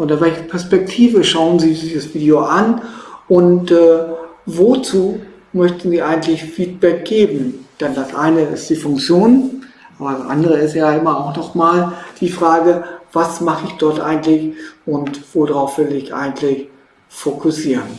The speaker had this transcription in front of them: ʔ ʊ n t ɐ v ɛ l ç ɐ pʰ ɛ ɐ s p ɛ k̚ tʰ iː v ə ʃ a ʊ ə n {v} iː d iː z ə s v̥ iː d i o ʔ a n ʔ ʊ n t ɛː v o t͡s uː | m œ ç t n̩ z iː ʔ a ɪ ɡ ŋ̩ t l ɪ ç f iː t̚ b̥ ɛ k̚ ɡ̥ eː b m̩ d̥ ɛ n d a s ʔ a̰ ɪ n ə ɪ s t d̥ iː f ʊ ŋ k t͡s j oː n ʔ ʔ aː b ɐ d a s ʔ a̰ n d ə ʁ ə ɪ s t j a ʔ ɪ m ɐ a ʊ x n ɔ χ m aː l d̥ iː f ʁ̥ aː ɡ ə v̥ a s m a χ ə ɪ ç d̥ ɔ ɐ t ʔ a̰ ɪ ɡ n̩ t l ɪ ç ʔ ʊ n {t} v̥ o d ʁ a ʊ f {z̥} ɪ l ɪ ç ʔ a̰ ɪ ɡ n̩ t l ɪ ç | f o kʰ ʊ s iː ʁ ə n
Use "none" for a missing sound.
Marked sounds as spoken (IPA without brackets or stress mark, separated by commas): z, t, v̥